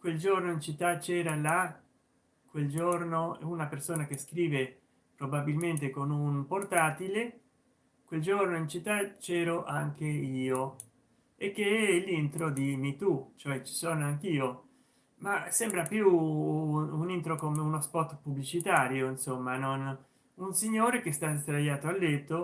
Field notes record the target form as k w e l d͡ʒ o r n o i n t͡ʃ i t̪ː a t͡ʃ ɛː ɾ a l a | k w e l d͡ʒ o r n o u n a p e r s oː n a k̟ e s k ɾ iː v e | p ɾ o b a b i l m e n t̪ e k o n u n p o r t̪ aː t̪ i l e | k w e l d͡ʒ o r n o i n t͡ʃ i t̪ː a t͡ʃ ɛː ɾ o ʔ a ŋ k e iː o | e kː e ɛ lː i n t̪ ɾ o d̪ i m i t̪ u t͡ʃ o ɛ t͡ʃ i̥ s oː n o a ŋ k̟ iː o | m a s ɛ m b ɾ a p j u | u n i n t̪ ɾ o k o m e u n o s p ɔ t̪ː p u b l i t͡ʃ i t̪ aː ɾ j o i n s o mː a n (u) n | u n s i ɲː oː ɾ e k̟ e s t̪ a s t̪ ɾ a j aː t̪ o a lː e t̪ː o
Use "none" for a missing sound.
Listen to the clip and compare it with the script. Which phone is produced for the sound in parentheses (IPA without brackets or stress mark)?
o